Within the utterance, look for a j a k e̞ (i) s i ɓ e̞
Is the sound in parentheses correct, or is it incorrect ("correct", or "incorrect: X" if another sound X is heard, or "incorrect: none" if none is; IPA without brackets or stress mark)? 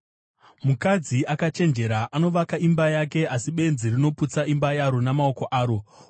incorrect: a